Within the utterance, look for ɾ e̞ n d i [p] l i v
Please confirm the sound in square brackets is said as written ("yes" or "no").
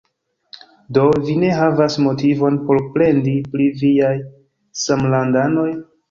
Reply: yes